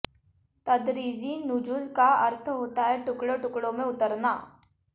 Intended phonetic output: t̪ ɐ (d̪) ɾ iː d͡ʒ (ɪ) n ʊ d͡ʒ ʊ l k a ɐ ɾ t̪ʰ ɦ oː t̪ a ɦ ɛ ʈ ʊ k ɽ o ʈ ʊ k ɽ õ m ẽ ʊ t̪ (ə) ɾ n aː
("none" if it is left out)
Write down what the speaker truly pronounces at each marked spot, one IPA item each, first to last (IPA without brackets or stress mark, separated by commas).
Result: d̪, i, ə